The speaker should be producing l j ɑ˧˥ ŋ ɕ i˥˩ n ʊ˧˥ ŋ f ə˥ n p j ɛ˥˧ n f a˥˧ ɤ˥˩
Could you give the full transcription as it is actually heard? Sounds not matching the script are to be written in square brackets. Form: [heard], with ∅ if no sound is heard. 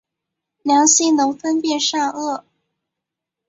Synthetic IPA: l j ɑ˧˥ ŋ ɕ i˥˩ n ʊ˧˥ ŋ f ə˥ n p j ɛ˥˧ n [ʂ] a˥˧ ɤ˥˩